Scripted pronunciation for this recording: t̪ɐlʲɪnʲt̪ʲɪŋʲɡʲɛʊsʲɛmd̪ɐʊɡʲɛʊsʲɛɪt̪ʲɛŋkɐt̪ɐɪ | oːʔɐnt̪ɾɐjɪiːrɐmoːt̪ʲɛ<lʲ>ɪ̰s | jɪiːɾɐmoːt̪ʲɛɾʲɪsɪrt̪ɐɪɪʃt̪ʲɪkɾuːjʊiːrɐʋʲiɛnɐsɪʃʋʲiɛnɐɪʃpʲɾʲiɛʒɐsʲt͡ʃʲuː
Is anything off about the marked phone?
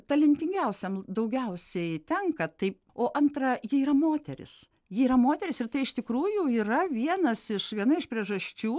yes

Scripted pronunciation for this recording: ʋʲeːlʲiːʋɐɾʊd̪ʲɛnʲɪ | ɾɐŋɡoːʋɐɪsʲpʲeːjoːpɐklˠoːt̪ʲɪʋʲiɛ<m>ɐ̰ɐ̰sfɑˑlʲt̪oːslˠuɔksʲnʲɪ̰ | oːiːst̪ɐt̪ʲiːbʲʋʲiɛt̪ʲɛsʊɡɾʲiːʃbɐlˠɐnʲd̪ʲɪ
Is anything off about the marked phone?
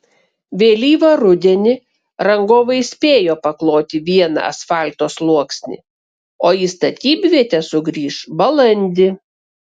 yes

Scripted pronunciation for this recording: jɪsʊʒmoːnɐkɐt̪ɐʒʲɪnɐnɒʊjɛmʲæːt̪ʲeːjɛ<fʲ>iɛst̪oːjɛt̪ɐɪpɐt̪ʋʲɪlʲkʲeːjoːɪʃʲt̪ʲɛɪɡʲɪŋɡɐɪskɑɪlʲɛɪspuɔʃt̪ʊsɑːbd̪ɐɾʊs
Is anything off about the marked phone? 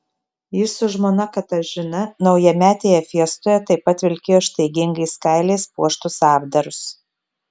no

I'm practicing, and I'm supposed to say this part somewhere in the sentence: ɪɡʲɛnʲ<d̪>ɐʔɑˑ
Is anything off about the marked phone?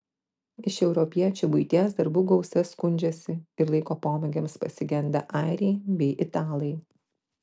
no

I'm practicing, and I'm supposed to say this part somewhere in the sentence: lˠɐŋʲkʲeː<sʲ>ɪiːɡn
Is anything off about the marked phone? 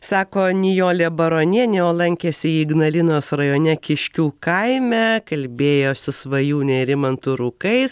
no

